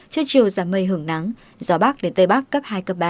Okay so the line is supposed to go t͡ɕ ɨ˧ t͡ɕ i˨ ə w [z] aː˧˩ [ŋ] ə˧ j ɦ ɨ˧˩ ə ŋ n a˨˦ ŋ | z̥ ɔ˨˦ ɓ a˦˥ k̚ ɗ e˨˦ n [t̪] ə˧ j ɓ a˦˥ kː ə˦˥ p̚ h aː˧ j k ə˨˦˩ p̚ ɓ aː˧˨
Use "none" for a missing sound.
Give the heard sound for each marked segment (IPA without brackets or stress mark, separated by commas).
z, m, t̪